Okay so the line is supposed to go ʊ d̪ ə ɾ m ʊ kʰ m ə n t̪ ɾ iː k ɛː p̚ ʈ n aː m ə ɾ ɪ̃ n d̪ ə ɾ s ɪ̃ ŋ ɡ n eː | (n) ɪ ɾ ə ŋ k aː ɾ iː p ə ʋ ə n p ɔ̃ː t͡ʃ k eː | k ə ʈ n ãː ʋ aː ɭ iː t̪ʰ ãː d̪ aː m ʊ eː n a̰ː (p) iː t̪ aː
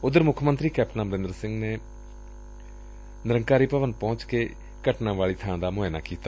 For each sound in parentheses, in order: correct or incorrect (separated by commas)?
correct, incorrect